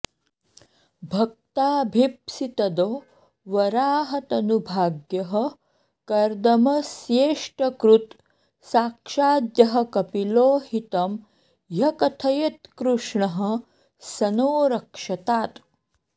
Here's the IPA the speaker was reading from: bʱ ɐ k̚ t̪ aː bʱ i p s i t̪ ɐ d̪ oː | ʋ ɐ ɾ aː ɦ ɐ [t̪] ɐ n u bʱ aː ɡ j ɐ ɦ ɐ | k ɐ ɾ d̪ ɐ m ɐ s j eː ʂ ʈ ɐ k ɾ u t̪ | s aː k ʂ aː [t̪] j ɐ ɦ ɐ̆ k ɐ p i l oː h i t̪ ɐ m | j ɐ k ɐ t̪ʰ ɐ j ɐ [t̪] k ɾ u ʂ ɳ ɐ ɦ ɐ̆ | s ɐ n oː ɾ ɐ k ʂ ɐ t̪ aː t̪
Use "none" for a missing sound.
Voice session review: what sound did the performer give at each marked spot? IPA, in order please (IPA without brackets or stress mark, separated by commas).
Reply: t̪, d̪, t̪